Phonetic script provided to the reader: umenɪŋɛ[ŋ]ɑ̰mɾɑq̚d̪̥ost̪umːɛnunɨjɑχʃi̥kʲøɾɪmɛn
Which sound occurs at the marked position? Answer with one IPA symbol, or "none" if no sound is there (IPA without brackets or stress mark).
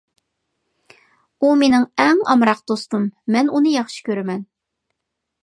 ŋ